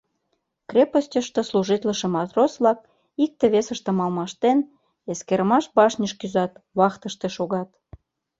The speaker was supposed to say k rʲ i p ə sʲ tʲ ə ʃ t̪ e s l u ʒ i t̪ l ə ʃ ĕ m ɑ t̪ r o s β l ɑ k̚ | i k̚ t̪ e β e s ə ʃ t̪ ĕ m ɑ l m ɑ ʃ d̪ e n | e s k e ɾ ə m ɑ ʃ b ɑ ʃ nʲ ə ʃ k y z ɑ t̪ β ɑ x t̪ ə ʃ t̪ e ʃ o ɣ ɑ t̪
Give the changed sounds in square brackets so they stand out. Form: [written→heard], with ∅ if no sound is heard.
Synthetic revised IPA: k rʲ [i→e] p ə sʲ tʲ ə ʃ t̪ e s l u ʒ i t̪ l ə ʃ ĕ m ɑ t̪ r o s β l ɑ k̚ | i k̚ t̪ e β e s ə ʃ t̪ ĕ m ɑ l m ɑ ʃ [d̪→t̪] e n | e s k e ɾ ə m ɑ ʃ b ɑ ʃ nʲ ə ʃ k y z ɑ t̪ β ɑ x t̪ ə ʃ t̪ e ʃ o ɣ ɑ t̪